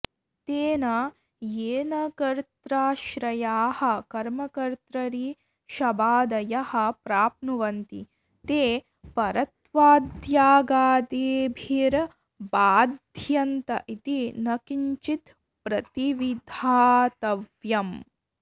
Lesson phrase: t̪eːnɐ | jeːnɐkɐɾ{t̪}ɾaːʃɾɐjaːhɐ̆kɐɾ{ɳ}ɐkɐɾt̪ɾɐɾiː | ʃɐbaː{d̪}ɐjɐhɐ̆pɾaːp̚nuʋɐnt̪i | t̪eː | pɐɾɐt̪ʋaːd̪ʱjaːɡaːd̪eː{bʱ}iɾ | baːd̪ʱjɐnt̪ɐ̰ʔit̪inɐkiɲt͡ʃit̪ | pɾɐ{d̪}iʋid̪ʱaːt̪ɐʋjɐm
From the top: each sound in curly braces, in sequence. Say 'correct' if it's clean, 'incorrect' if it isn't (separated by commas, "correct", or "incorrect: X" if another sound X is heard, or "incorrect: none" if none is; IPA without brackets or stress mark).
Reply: correct, incorrect: m, correct, correct, incorrect: t̪